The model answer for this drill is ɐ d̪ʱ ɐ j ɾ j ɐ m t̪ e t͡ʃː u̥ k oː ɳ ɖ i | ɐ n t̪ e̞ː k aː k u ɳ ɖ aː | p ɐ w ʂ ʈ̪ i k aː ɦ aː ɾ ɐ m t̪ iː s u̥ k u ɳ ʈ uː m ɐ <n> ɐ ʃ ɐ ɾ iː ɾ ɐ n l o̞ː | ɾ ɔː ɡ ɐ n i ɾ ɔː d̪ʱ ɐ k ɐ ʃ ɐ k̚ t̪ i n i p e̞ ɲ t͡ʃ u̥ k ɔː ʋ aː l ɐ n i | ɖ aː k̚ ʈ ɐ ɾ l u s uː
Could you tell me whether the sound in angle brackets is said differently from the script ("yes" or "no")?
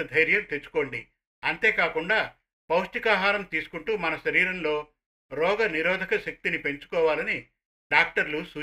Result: no